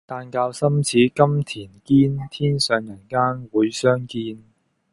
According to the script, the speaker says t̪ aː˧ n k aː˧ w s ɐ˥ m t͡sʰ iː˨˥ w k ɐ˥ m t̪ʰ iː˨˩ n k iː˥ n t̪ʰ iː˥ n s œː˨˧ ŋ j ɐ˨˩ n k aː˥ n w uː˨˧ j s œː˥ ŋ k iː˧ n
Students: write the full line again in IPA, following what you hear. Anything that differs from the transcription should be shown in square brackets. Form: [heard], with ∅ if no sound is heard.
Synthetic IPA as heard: t̪ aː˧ n k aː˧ w s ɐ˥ m t͡sʰ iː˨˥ [∅] k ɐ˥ m t̪ʰ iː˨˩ n k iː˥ n t̪ʰ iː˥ n s œː˨˧ ŋ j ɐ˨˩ n k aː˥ n w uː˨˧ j s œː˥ ŋ k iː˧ n